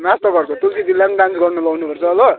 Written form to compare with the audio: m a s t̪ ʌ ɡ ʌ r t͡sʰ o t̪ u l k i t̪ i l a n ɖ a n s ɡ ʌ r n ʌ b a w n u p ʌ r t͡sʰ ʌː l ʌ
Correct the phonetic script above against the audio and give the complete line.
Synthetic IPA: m a s t̪ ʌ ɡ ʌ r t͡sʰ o t̪ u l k i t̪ i l a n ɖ a n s ɡ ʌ r n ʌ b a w n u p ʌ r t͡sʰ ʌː l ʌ

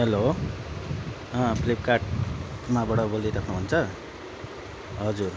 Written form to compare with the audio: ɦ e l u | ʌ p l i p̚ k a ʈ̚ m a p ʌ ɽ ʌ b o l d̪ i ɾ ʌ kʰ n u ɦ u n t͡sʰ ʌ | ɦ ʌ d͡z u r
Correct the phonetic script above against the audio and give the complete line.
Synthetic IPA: ɦ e l o | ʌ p l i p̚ k a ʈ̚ m a b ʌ ɽ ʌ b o l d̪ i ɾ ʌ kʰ n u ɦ u n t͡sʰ ʌ | ɦ ʌ d͡z u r

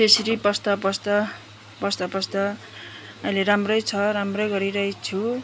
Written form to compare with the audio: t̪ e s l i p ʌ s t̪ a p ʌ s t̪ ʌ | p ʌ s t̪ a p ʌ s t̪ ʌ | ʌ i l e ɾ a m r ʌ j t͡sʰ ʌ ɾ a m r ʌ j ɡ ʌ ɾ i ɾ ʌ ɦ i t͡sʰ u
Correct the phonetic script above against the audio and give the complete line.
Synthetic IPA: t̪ e s ɾ i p ʌ s t̪ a p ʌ s t̪ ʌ | p ʌ s t̪ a p ʌ s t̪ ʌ | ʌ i l e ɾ a m r ʌ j t͡sʰ ʌ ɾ a m r ʌ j ɡ ʌ ɾ i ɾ ʌ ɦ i t͡sʰ u

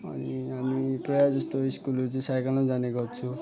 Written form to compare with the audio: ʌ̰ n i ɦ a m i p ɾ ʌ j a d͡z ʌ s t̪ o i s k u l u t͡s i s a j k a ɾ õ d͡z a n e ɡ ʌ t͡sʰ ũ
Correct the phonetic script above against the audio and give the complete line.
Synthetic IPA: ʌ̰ n i ɦ a m i p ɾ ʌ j a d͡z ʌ s t̪ o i s k u l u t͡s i s a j k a l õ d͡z a n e ɡ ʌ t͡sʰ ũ

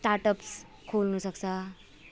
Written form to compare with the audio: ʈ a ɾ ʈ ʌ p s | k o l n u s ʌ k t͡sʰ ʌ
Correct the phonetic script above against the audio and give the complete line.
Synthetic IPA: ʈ a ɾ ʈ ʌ p s | kʰ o l n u s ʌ k t͡sʰ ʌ

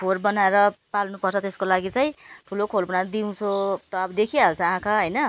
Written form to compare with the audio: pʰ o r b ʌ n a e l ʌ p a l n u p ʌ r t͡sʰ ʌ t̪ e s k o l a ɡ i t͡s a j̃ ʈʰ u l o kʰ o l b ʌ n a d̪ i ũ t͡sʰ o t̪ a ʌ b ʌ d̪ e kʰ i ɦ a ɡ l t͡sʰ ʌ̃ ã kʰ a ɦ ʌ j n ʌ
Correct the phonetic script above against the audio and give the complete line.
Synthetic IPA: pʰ o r b ʌ n a e ɾ ʌ p a l n u p ʌ r t͡sʰ ʌ t̪ e s k o l a ɡ i t͡s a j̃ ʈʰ u l o kʰ o l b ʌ n a d̪ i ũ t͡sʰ o t̪ ʌ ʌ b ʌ d̪ e kʰ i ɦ a l t͡sʰ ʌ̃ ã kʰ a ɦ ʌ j n ʌ

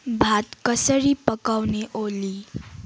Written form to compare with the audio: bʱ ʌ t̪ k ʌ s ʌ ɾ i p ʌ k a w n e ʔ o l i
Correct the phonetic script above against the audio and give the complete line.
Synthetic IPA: bʱ a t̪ k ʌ s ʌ ɾ i p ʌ k a w n e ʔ o l i

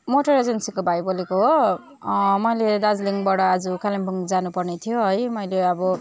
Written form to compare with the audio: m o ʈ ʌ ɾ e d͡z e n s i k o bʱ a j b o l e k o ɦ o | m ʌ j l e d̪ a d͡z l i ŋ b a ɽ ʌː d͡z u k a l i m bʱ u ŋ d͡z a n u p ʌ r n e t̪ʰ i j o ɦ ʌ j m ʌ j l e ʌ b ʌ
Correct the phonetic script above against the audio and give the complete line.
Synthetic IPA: m o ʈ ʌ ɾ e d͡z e n s i k o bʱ a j b o l e k o ɦ o | m ʌ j l e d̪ a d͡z l i ŋ b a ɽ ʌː d͡z u k a l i m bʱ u ŋ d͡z a n u p ʌ r n e t̪ʰ i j o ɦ ʌ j m ʌ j l e ʌ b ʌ

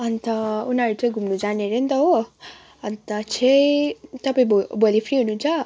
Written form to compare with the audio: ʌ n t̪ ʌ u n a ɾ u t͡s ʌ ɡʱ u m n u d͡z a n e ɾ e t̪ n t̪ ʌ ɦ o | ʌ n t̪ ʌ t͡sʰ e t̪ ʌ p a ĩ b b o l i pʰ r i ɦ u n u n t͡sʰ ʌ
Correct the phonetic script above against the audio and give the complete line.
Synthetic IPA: ʌ n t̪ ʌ u n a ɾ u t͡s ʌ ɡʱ u m n u d͡z a n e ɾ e n t̪ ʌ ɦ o | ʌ n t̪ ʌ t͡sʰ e t̪ ʌ p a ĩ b b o l i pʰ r i ɦ u n u n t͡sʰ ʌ

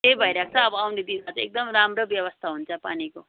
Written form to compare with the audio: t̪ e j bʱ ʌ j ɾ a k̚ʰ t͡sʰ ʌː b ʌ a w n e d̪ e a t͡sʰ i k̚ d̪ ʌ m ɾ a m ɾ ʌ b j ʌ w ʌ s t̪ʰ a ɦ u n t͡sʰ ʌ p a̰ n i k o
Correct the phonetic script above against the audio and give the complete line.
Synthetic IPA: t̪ e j bʱ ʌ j ɾ a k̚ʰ t͡sʰ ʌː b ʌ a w n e d̪ i a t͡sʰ e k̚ d̪ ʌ m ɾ a m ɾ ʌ b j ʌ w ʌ s t̪ʰ a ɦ u n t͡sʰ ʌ p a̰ n i k o

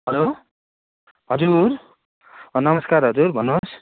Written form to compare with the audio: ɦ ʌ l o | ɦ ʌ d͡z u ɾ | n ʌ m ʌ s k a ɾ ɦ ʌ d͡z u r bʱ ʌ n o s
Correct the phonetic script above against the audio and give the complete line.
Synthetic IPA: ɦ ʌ l o | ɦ ʌ d͡z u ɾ | n ʌ m ʌ s k a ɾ ɦ ʌ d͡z u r bʱ ʌ n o s

